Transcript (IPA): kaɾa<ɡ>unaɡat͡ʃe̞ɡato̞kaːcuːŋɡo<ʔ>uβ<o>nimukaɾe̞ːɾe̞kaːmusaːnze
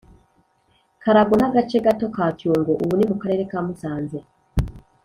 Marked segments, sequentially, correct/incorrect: correct, correct, incorrect

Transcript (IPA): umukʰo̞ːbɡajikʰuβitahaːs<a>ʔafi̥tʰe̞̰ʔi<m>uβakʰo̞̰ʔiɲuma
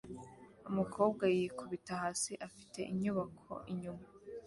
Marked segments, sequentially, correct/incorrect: incorrect, incorrect

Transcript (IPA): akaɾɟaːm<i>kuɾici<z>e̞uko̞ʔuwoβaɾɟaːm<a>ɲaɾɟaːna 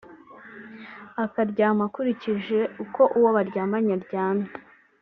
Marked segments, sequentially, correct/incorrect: incorrect, incorrect, correct

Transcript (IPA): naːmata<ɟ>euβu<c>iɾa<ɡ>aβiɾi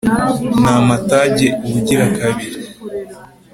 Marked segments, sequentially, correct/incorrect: correct, incorrect, incorrect

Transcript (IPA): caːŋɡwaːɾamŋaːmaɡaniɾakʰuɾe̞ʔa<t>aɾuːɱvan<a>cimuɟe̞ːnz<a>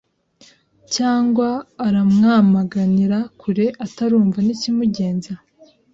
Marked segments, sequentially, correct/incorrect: correct, incorrect, correct

